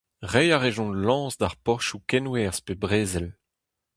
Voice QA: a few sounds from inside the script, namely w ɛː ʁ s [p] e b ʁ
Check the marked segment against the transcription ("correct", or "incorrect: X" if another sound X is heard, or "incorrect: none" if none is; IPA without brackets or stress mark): correct